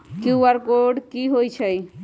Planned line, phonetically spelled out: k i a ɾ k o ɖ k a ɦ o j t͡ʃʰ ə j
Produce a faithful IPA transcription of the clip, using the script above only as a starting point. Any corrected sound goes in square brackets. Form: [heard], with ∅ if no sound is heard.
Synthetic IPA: k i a ɾ k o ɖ k [i] ɦ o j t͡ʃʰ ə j